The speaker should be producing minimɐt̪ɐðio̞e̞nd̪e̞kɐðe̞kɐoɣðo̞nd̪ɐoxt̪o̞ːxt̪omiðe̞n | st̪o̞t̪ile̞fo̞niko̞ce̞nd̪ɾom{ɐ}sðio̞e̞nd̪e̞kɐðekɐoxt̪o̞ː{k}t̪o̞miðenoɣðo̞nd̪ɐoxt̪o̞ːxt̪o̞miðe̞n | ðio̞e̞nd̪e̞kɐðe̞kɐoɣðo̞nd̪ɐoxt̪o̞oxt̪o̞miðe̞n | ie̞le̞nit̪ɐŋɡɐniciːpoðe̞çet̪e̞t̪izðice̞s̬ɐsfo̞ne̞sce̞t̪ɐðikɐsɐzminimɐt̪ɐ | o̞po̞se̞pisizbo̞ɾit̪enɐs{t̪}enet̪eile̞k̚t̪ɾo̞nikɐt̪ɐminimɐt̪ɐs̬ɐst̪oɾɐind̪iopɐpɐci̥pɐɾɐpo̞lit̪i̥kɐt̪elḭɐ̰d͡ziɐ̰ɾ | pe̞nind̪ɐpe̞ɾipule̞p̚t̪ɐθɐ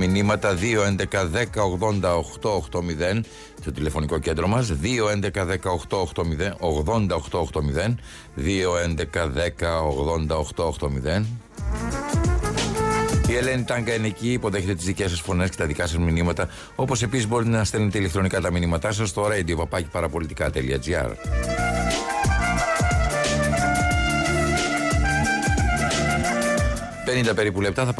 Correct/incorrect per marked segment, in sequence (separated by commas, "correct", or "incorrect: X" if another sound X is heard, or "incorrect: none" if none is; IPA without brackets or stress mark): correct, incorrect: x, correct